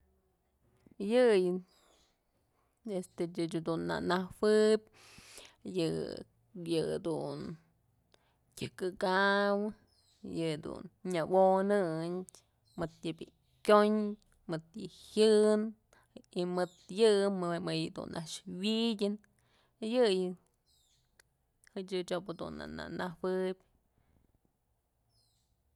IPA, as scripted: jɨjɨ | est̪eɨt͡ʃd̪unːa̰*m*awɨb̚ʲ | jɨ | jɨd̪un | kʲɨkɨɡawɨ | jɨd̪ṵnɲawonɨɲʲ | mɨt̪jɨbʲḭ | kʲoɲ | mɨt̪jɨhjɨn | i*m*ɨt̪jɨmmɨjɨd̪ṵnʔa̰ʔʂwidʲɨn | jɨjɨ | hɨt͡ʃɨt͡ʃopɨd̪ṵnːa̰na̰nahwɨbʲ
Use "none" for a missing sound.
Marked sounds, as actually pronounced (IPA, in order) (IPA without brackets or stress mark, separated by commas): n, m